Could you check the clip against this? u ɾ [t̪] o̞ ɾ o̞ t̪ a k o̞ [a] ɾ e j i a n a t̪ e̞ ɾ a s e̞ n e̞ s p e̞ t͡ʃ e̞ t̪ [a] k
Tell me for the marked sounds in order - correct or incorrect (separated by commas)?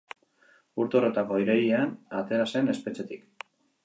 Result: correct, incorrect, incorrect